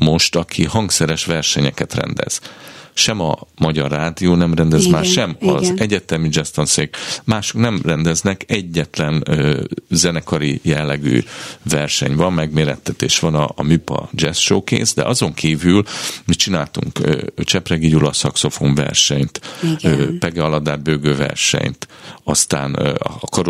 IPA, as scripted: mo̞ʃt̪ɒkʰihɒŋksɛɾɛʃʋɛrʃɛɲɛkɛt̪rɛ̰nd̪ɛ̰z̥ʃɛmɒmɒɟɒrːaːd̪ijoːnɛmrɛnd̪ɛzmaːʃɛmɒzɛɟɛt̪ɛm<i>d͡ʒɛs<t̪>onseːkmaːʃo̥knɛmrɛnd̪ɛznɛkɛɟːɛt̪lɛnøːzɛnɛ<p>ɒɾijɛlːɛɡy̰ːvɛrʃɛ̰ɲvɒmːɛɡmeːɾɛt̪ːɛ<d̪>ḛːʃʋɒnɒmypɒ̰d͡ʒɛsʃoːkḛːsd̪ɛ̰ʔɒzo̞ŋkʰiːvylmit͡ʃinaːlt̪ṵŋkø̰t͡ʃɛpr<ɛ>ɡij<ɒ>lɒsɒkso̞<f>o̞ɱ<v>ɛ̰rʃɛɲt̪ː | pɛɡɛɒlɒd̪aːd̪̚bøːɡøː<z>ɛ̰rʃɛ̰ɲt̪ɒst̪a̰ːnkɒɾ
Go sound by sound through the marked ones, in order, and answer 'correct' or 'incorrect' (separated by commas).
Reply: correct, correct, incorrect, incorrect, correct, incorrect, correct, correct, incorrect